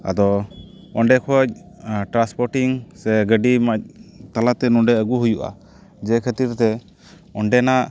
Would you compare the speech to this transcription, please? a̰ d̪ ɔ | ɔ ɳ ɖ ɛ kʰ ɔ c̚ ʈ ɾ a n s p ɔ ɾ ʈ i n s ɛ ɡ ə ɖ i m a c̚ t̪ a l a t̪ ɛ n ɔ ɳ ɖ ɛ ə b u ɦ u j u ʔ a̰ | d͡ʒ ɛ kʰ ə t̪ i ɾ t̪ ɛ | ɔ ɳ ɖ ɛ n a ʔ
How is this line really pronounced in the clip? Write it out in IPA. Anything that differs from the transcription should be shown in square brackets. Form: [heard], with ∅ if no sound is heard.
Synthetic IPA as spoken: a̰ d̪ ɔ | ɔ ɳ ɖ ɛ kʰ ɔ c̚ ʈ ɾ a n s p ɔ ɾ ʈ i [ŋ] s ɛ ɡ ə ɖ i m a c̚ t̪ a l a t̪ ɛ n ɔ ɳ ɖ ɛ ə [ɡ] u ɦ u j u ʔ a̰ | d͡ʒ ɛ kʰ ə t̪ i ɾ t̪ ɛ | ɔ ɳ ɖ ɛ n a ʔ